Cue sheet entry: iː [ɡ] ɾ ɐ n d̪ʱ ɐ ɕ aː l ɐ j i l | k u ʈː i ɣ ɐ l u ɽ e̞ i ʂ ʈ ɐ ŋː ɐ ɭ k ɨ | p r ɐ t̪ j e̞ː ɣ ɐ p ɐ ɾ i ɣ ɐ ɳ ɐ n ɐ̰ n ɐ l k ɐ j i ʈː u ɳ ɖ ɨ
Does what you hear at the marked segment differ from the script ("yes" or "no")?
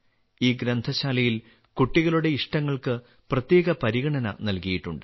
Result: no